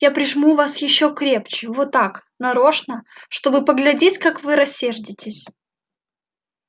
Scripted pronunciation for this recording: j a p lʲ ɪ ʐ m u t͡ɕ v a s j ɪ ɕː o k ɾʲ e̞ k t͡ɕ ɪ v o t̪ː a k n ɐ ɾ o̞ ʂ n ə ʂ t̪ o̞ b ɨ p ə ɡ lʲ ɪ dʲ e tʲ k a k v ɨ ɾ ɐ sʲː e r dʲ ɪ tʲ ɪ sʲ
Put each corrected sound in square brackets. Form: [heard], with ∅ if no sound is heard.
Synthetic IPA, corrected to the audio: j a p [ɾʲ] ɪ ʐ m u [∅] v a s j ɪ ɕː o k ɾʲ e̞ [p] t͡ɕ ɪ v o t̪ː a k n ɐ ɾ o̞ ʂ n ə ʂ t̪ o̞ b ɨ p ə ɡ lʲ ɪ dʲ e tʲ k a k v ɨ ɾ ɐ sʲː e r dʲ ɪ tʲ ɪ sʲ